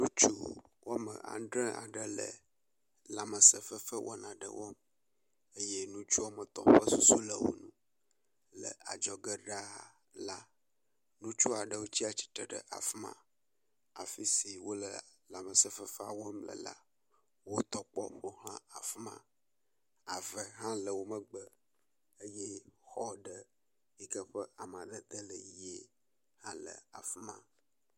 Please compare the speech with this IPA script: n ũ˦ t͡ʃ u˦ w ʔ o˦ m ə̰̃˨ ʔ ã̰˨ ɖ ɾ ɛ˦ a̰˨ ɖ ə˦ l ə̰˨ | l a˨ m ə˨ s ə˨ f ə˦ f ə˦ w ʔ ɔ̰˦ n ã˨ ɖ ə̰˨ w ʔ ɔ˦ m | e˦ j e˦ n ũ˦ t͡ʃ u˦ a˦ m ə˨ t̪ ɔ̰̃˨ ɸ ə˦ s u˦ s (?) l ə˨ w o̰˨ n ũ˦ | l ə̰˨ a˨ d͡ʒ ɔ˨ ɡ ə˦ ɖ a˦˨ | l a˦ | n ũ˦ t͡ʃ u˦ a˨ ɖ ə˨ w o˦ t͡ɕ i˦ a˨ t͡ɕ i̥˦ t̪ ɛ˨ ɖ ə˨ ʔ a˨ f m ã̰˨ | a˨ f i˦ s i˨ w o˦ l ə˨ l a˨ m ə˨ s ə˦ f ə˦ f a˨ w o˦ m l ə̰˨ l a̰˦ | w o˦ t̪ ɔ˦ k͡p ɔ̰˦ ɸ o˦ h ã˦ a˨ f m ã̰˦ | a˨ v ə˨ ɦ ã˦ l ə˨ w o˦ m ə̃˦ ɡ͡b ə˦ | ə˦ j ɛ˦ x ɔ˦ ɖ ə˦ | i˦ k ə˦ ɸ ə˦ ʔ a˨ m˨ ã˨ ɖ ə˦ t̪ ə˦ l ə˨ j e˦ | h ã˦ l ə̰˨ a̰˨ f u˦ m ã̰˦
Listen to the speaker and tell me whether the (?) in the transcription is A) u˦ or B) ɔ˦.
A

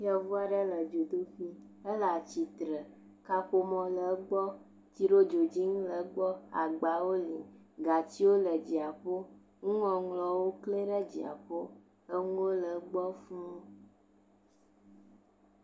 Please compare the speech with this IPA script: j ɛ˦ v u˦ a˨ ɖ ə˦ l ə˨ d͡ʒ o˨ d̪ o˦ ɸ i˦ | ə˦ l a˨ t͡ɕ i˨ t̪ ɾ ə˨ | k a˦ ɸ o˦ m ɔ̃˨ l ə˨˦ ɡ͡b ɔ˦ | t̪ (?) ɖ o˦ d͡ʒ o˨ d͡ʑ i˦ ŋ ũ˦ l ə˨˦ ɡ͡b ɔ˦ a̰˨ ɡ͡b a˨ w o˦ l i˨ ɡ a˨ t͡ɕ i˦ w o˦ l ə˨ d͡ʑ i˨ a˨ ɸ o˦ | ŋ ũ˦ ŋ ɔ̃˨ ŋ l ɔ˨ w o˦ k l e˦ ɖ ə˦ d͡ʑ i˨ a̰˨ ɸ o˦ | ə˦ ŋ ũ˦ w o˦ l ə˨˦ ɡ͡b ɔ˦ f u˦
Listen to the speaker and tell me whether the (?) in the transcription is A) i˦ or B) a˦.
A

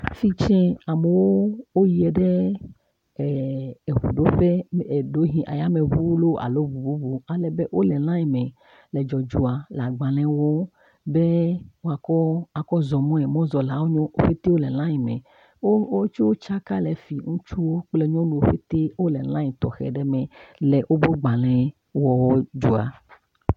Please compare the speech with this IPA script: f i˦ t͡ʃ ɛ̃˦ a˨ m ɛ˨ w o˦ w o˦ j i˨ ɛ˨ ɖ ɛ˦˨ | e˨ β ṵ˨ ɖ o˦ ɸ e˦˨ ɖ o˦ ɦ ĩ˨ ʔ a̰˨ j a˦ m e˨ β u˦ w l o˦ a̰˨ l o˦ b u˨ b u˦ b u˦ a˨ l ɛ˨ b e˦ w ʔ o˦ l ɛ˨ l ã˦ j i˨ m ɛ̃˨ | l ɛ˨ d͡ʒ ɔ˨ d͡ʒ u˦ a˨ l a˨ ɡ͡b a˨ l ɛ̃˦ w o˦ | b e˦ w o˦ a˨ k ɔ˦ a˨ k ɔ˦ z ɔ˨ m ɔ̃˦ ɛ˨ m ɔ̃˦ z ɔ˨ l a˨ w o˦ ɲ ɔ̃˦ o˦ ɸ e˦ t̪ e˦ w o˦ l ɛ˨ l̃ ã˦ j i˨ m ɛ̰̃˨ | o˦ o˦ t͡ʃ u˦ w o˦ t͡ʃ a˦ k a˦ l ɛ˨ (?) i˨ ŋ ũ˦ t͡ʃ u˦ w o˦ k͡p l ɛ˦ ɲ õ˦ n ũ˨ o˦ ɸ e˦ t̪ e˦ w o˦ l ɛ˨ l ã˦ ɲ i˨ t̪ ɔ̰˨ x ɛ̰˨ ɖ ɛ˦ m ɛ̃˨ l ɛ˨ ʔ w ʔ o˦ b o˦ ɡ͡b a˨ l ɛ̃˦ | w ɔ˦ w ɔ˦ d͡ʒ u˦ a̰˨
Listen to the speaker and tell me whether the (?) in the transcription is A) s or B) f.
B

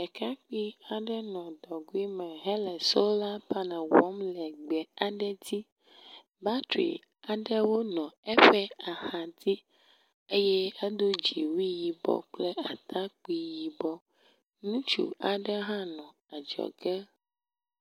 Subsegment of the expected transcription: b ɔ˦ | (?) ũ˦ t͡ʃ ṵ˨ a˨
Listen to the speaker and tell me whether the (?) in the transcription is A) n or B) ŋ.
A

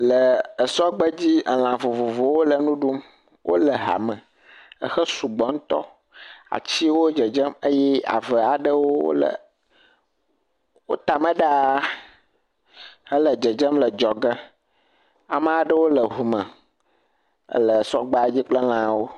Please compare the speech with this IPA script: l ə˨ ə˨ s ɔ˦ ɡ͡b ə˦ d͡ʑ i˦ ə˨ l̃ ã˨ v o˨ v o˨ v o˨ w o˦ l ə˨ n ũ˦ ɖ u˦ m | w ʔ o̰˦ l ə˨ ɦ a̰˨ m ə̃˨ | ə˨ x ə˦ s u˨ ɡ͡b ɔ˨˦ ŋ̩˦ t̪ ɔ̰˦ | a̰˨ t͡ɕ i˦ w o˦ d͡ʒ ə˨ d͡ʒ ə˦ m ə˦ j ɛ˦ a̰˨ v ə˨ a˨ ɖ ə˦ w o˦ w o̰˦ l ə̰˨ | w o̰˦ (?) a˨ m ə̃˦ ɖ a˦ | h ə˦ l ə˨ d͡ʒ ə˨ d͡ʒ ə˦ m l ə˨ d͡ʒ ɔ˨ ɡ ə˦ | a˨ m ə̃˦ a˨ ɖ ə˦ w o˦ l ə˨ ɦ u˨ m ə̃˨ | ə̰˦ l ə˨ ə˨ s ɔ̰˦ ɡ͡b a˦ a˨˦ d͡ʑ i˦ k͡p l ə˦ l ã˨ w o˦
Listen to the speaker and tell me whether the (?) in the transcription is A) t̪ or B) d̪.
A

